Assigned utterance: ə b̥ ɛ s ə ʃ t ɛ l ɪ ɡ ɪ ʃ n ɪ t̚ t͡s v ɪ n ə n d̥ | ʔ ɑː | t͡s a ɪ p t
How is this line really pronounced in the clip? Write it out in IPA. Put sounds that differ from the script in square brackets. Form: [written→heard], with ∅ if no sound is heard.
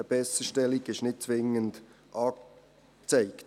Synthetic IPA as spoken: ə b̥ ɛ s ə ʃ t ɛ l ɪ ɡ ɪ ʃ n ɪ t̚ t͡s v ɪ [n→ŋ] ə n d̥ | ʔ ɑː | t͡s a ɪ [p→k] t